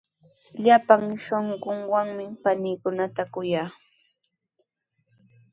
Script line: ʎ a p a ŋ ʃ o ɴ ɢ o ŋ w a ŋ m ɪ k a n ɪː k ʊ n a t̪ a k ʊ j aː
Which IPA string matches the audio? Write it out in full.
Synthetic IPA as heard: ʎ a p a ŋ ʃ o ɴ ɢ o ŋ w a ŋ m ɪ p a n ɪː k ʊ n a t̪ a k ʊ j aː

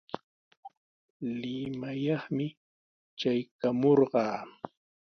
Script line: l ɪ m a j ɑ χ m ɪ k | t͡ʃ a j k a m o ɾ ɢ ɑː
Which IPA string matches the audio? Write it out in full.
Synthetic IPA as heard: l ɪ m a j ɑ χ m ɪ | t͡ʃ a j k a m o ɾ ɢ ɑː

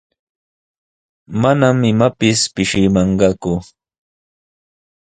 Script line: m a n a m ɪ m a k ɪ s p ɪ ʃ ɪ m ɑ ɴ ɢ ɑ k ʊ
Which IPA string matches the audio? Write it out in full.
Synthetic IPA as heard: m a n a m ɪ m a p ɪ s p ɪ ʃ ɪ m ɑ ɴ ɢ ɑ k ʊ

